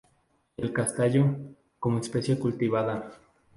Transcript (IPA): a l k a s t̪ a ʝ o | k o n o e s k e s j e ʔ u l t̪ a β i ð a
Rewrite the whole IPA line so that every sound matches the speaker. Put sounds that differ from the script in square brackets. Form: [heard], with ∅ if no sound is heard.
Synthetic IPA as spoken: [e] l k a s t̪ a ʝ o | k o [m] o e s [p] e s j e [k] u l t̪ [i] β [a] ð a